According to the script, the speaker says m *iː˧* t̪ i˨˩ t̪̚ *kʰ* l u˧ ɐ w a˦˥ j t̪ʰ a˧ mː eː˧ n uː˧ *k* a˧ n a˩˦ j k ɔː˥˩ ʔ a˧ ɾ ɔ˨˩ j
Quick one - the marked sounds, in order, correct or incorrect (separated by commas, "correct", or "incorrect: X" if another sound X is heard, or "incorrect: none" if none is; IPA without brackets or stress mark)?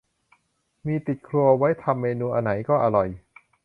correct, correct, incorrect: ʔ